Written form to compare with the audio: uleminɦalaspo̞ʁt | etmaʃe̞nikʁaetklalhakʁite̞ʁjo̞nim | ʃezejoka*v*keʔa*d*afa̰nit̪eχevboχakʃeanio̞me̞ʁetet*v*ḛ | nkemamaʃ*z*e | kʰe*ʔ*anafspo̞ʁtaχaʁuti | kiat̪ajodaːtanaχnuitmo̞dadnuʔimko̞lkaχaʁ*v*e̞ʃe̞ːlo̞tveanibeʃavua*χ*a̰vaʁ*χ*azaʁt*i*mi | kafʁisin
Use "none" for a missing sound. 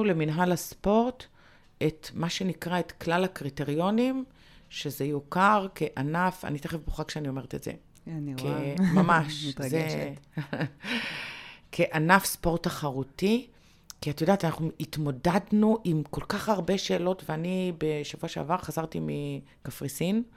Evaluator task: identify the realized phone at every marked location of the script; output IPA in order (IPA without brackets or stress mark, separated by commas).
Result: ʁ, n, z, z, ʔ, b, ʃ, χ, i